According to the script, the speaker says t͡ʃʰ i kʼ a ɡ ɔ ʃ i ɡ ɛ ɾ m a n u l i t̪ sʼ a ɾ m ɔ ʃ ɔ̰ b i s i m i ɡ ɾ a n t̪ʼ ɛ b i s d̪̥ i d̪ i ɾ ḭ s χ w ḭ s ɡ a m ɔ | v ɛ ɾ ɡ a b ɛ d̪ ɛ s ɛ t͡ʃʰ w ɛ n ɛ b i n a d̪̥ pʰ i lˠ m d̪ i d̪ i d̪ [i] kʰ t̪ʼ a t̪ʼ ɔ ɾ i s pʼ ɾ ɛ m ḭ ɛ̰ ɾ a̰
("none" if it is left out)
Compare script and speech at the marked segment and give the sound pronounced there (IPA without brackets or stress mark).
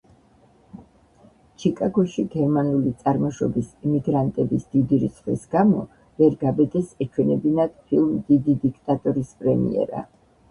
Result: i